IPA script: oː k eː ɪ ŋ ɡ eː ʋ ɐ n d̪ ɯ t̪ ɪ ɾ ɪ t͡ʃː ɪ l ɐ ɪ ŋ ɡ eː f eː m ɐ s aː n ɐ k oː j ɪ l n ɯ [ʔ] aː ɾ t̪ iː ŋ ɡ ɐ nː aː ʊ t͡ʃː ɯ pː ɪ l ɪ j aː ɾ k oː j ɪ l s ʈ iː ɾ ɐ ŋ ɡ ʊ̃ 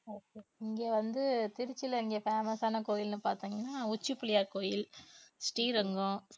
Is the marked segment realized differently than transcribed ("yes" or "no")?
yes